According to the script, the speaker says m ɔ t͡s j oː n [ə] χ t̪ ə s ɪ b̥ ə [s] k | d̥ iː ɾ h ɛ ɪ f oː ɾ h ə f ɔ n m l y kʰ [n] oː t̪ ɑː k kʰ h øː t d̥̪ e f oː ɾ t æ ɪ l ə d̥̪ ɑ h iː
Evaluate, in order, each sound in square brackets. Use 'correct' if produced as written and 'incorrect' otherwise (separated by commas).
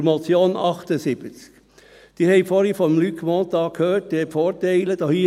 incorrect, incorrect, incorrect